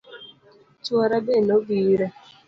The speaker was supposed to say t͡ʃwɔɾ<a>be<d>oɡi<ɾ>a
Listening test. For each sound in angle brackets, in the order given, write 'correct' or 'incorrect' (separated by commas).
correct, incorrect, correct